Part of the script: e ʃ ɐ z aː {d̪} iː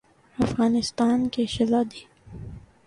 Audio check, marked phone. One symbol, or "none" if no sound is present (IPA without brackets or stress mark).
d̪